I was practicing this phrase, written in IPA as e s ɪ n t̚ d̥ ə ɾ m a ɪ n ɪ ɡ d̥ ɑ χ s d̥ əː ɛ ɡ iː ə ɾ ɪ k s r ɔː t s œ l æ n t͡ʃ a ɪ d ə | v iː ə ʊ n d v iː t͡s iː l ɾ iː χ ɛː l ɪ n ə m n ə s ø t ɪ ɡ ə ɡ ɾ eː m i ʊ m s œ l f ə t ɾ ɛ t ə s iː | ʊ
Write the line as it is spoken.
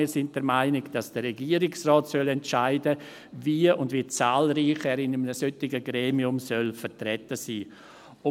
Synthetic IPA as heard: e s ɪ n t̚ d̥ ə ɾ m a ɪ n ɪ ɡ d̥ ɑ s d̥ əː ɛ ɡ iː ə ɾ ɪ k s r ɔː t s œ l ɛ n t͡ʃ a ɪ d ə | v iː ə ʊ n d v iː t͡s aː l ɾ iː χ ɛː ɾ ɪ n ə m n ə s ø t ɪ ɡ ə ɡ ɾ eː m i ʊ m s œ l f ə t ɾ ɛ t ə s iː | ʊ